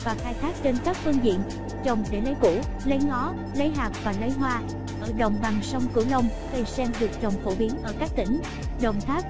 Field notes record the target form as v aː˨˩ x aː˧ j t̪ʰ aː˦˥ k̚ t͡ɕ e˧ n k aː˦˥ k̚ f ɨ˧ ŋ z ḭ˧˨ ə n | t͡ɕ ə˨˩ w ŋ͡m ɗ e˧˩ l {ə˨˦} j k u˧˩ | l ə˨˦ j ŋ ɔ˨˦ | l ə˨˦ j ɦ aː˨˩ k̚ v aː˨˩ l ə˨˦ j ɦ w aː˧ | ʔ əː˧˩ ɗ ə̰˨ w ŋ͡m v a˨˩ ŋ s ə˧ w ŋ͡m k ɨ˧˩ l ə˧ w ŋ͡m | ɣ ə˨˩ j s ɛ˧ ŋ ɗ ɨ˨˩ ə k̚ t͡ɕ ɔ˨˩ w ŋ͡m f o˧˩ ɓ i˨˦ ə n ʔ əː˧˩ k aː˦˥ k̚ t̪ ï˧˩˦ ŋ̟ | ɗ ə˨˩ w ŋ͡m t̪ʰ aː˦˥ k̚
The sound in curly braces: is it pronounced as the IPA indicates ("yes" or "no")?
yes